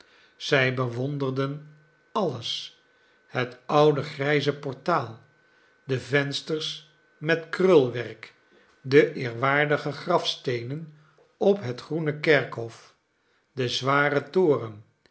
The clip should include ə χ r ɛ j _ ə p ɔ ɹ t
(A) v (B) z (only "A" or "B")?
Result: B